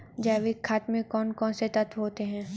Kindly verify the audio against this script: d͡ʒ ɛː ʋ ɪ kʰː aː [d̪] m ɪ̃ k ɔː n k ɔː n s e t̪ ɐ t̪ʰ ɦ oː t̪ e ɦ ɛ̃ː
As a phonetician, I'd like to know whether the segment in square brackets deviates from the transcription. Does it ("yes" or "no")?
yes